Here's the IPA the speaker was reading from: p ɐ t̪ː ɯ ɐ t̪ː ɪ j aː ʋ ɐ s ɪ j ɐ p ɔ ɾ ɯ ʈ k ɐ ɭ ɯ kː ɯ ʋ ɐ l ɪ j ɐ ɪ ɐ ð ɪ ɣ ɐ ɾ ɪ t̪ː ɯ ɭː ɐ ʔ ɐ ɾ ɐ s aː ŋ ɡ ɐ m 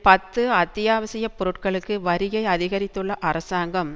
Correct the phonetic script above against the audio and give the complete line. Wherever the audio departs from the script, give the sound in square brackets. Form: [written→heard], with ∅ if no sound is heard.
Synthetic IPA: p ɐ t̪ː ɯ ɐ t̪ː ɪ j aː ʋ ɐ s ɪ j ɐ p ɔ ɾ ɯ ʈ k ɐ ɭ ɯ kː ɯ ʋ ɐ [l→ɾ] ɪ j ɐ ɪ ɐ ð ɪ ɣ ɐ ɾ ɪ t̪ː ɯ ɭː ɐ ʔ ɐ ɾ ɐ s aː ŋ ɡ ɐ m